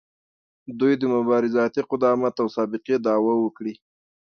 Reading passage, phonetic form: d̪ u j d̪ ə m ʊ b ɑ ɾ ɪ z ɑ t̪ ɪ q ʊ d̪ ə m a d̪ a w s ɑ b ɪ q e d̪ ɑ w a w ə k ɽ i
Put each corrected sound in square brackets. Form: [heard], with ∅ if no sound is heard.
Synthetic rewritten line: d̪ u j d̪ ə m ʊ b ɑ ɾ ɪ z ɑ t̪ [i] q ʊ d̪ [ɑ] m a [t̪] a w s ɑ b ɪ q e d̪ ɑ w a w ə k ɽ i